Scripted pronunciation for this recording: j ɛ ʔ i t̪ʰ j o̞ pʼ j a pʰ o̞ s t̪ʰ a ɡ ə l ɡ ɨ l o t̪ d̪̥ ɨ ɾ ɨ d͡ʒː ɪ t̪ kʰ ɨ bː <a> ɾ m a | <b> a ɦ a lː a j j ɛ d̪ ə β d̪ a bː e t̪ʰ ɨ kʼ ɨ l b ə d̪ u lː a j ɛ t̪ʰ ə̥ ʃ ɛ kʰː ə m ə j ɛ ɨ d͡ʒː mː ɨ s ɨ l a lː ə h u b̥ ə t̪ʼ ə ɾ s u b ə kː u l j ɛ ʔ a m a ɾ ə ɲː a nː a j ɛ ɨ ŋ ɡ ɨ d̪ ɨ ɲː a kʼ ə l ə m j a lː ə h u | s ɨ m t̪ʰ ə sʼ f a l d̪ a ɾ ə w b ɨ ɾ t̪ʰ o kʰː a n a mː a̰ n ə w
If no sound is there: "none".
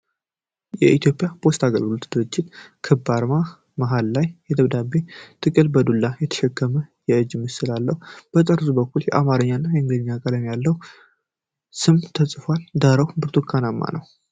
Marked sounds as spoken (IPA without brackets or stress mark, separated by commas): a, m